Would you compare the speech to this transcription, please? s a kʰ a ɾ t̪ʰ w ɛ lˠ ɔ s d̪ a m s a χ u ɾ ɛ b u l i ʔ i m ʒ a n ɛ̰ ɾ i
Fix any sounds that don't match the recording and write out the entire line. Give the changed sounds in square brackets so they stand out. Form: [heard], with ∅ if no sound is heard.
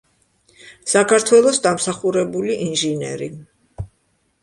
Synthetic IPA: s a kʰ a ɾ t̪ʰ w ɛ lˠ ɔ s d̪ a m s a χ u ɾ ɛ b u l i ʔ i [n] ʒ [i] n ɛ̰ ɾ i